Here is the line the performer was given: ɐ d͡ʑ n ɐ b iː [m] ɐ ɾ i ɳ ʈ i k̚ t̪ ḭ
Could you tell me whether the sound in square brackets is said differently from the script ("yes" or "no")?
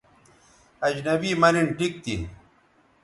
no